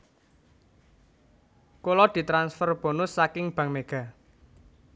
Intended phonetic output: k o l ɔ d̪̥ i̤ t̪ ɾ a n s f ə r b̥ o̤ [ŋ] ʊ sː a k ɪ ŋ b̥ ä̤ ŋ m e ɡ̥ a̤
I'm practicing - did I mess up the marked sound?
yes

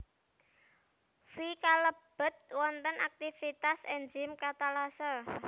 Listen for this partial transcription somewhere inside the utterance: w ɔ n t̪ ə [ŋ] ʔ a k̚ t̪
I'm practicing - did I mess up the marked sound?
yes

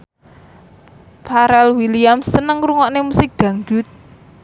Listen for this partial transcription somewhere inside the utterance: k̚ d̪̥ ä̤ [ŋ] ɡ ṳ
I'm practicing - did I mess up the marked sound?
no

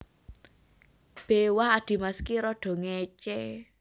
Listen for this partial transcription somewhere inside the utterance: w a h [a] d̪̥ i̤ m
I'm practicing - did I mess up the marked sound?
no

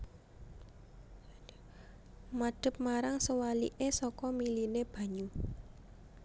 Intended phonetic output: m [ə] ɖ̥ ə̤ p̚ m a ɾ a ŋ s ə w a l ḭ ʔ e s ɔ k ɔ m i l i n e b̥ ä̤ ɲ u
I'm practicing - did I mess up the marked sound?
yes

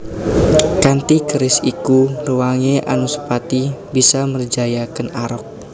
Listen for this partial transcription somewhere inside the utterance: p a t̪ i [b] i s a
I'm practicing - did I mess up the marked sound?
no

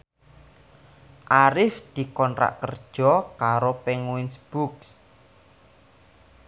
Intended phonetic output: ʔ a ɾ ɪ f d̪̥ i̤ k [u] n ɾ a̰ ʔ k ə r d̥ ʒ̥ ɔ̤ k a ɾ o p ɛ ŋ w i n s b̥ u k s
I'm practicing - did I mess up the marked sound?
yes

